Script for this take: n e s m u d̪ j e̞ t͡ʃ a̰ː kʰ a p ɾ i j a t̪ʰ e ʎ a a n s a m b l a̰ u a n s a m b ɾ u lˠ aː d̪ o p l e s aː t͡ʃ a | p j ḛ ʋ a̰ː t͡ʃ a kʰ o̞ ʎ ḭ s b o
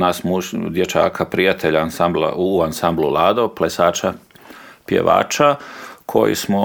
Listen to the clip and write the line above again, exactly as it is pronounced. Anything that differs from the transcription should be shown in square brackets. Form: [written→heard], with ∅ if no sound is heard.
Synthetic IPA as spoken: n [e→a] s m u d̪ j e̞ t͡ʃ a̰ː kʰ a p ɾ i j a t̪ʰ e ʎ a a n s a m b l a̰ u a n s a m b [ɾ→l] u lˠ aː d̪ o p l e s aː t͡ʃ a | p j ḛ ʋ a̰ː t͡ʃ a kʰ o̞ [ʎ→j] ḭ s [b→m] o